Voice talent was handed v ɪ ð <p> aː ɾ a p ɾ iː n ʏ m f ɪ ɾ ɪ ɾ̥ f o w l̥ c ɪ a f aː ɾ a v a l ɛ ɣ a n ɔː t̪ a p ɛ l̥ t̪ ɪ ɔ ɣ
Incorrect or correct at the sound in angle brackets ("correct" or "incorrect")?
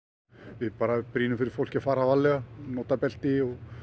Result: correct